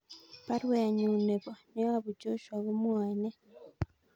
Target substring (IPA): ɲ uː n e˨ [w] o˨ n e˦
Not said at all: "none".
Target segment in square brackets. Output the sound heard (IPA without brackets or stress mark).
β